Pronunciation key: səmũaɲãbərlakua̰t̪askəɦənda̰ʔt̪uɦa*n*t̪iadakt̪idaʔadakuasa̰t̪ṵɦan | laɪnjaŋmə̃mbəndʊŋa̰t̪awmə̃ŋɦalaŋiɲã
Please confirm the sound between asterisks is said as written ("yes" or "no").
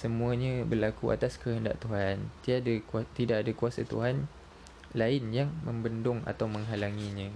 yes